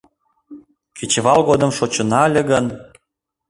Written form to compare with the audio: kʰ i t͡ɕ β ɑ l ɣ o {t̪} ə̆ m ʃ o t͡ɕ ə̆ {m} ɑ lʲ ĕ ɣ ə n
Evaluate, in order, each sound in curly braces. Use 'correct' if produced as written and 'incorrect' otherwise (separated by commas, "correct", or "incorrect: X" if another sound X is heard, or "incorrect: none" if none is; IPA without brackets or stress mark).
incorrect: d̪, incorrect: n